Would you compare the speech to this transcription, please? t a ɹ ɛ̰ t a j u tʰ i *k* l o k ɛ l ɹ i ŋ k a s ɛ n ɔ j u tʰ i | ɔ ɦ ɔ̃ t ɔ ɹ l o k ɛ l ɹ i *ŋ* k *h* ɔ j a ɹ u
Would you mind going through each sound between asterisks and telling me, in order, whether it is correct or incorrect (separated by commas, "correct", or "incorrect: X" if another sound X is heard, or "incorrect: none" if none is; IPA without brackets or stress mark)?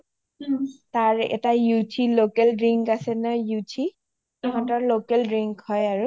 incorrect: none, correct, correct